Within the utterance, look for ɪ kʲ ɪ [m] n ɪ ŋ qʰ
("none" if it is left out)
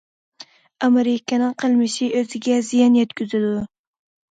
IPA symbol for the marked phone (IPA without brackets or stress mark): none